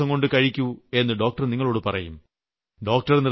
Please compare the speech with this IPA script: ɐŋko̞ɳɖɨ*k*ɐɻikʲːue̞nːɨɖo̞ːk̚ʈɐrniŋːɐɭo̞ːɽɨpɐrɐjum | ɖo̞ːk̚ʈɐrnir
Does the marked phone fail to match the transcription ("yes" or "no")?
no